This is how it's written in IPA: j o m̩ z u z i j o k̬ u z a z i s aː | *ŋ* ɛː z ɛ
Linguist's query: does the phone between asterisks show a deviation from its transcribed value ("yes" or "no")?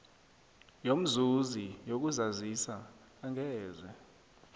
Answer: no